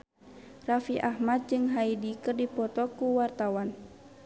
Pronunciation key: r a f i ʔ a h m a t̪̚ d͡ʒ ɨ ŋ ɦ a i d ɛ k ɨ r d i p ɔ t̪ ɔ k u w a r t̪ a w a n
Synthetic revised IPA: r a f i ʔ a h m a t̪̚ d͡ʒ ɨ ŋ ɦ a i d i k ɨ r d i p ɔ t̪ ɔ k u w a r t̪ a w a n